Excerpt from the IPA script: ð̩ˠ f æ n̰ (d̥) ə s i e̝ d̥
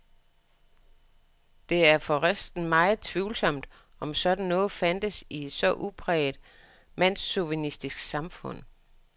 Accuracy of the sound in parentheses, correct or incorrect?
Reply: correct